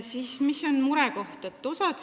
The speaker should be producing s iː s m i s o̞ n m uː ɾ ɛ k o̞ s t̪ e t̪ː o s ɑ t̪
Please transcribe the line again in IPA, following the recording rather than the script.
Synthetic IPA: s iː s m i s o̞ n m u ɾ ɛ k o̞ h t̪ e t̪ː o s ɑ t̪